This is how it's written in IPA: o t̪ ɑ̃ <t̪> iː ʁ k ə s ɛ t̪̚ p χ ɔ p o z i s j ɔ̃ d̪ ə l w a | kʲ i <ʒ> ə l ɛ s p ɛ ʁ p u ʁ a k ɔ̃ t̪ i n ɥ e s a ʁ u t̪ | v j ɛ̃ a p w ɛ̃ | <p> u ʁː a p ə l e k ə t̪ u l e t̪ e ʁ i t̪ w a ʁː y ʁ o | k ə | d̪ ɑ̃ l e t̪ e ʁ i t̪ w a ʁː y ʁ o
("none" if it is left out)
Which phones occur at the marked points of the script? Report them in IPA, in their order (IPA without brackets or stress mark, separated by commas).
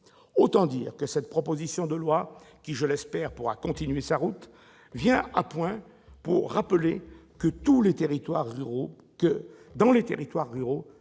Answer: d̪, ʒ, p